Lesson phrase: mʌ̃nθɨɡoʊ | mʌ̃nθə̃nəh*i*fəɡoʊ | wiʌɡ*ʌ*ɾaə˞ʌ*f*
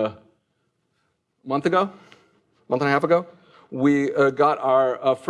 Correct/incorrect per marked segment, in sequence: incorrect, incorrect, correct

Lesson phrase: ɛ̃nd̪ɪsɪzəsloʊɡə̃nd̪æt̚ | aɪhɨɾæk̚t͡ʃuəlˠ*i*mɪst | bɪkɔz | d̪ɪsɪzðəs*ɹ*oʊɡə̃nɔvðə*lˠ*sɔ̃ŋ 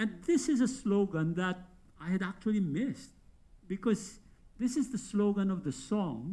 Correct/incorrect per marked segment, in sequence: correct, incorrect, incorrect

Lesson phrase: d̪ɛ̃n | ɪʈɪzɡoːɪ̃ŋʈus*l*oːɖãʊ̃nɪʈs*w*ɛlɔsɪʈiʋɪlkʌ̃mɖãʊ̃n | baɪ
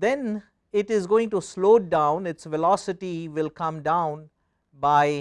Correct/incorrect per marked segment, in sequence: correct, incorrect

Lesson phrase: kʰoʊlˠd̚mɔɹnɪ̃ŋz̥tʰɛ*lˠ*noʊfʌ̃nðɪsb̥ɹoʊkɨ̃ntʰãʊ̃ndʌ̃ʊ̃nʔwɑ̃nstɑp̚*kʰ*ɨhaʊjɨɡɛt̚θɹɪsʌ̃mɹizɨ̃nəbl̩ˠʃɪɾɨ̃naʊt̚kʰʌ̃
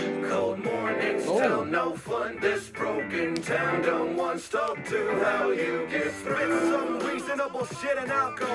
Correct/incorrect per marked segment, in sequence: correct, incorrect

